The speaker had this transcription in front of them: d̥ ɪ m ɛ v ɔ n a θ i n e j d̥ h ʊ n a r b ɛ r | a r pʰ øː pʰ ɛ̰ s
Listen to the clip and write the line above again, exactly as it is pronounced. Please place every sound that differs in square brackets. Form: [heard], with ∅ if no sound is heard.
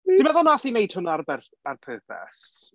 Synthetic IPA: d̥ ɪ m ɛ [ð] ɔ n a θ i n e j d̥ h ʊ n a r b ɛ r | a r pʰ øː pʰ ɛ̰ s